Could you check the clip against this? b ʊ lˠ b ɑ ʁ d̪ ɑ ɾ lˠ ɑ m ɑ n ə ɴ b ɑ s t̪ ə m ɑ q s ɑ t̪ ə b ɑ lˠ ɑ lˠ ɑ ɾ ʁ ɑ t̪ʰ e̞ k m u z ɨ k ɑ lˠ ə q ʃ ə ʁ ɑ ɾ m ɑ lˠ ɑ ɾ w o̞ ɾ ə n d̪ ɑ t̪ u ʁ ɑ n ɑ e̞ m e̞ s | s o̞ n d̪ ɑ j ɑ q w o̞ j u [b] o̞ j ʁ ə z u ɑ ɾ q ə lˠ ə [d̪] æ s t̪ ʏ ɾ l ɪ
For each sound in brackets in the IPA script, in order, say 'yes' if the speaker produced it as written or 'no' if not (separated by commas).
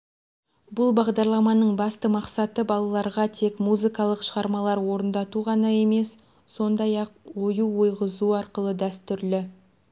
no, yes